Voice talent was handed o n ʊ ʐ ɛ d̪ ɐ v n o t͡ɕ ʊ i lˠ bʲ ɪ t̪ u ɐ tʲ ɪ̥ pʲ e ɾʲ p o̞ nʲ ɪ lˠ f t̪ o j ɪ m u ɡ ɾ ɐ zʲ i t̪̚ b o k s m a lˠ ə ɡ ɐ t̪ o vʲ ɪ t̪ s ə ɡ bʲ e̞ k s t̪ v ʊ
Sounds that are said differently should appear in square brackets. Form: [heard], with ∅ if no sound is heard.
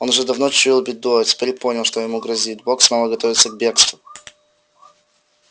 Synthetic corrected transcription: o n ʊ ʐ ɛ d̪ ɐ v n o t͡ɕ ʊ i lˠ bʲ ɪ [d̪] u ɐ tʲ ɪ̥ pʲ e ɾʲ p o̞ nʲ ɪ lˠ [ʂ] t̪ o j ɪ m u ɡ ɾ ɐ zʲ i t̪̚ b o k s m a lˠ ə ɡ ɐ t̪ o vʲ ɪ t̪ s ə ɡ bʲ e̞ k s t̪ v ʊ